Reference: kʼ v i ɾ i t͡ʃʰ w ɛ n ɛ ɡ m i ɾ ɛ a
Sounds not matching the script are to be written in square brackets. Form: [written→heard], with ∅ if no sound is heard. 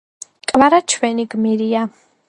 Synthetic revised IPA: kʼ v [i→a] ɾ [i→a] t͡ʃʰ w ɛ n [ɛ→i] ɡ m i ɾ [ɛ→i] a